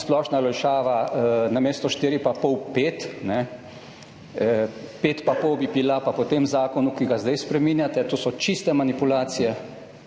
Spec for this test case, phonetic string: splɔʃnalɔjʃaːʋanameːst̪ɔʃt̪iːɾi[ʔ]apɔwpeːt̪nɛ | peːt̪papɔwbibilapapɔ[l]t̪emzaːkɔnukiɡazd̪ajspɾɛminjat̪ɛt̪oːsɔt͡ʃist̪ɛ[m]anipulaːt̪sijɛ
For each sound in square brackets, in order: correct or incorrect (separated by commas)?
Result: incorrect, incorrect, correct